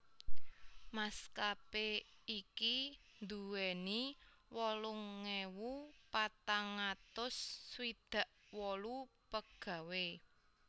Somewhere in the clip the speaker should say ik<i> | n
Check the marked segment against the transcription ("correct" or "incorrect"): correct